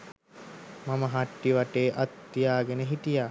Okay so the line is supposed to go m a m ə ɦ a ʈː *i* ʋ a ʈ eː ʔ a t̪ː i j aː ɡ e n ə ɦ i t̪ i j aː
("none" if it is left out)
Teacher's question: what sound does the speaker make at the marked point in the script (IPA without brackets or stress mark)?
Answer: i